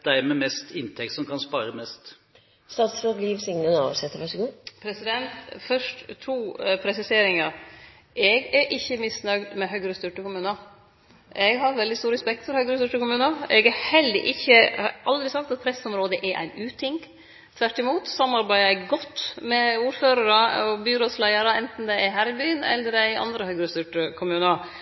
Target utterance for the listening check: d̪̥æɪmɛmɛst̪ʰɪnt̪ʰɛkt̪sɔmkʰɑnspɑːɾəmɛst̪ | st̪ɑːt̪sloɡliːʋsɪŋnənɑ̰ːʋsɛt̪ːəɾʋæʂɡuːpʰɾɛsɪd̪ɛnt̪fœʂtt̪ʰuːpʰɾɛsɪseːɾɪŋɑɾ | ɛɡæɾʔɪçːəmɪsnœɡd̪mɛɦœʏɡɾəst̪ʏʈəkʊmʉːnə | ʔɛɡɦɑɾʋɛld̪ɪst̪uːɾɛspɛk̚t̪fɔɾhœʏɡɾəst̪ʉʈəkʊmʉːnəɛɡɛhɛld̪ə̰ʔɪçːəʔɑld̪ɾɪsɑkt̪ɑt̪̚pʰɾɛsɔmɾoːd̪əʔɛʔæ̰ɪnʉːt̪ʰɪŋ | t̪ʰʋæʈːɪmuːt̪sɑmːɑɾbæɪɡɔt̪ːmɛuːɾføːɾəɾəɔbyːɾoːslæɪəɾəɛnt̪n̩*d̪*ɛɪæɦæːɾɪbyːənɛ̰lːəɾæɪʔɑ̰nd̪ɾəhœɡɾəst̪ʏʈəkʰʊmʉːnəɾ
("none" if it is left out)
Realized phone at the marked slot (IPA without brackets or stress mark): d̪